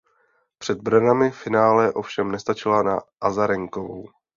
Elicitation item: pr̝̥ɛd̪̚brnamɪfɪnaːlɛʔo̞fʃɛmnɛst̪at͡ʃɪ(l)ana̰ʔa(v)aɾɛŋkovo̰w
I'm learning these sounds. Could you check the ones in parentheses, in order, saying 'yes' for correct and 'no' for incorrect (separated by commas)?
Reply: yes, no